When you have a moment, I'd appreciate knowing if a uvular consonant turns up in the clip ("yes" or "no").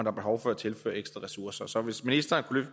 yes